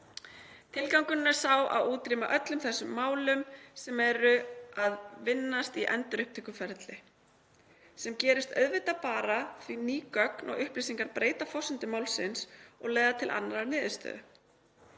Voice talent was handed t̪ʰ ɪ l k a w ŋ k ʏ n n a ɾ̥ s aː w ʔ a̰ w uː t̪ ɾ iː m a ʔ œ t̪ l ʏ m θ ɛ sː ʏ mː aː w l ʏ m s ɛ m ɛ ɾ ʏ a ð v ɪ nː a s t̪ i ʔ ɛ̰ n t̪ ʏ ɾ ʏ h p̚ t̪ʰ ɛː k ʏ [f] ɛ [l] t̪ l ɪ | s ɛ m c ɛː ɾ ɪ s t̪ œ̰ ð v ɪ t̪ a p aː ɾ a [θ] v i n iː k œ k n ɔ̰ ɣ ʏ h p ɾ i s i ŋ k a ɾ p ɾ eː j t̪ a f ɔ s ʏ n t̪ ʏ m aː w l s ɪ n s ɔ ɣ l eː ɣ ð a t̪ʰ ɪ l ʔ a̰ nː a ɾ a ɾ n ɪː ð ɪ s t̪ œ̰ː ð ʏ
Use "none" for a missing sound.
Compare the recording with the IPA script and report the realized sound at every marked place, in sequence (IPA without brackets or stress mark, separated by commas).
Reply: f, ɾ, θ